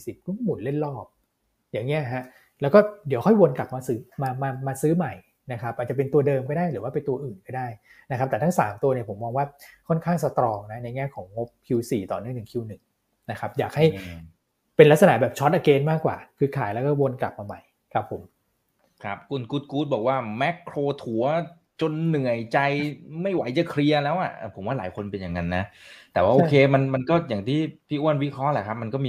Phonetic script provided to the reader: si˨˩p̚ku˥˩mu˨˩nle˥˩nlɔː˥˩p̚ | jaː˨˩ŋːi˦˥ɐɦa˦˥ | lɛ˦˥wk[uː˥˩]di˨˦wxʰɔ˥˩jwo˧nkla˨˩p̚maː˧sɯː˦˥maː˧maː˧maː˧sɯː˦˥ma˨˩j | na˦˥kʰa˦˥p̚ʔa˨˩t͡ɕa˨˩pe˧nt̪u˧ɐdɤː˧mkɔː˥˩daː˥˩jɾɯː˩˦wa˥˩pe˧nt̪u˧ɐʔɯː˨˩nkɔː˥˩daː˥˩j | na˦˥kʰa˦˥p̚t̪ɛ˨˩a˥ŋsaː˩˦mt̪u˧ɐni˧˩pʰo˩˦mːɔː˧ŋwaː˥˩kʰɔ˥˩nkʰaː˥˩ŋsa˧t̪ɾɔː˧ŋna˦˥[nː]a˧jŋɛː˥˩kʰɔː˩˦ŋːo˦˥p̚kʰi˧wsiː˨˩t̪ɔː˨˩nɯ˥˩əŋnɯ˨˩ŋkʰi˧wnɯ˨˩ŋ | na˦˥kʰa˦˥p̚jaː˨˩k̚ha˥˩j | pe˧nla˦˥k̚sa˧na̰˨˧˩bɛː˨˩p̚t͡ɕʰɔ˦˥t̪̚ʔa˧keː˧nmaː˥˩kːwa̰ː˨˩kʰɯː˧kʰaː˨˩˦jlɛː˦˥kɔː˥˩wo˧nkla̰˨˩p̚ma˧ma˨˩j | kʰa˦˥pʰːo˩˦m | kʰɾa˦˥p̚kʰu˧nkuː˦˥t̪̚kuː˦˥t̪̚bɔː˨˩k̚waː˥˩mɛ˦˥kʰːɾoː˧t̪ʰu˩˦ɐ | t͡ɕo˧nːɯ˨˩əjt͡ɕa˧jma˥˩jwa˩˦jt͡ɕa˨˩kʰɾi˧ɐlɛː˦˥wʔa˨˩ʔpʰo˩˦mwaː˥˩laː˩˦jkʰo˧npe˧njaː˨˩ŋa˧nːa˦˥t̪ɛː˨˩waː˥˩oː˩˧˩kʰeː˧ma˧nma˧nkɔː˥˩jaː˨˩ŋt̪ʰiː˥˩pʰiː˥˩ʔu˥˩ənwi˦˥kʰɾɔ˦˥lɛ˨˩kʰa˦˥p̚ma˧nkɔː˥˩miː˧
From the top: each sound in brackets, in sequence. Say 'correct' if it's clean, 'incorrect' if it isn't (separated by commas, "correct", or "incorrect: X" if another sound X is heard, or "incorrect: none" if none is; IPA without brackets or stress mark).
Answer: incorrect: ɔː˥˩, incorrect: n